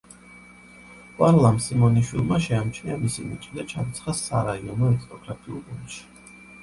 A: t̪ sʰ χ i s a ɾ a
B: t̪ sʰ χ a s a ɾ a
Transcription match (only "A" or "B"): B